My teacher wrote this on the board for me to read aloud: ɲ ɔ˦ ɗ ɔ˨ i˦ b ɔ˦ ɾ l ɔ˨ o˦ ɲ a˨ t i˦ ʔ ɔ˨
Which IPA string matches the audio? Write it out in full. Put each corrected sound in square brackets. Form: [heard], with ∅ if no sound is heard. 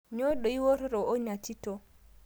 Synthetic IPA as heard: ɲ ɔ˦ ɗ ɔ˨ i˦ [w] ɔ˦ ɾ [ɾ] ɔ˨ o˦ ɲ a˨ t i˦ [t] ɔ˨